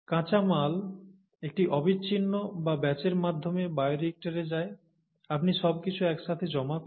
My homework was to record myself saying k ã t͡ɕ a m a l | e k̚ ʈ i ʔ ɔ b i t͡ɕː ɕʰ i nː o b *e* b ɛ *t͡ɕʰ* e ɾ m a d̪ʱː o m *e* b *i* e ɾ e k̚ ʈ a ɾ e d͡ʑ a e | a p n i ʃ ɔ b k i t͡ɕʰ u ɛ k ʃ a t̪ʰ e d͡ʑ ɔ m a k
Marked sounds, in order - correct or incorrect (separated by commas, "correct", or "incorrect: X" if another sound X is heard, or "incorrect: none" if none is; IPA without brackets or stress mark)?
incorrect: a, incorrect: t͡ɕ, correct, incorrect: a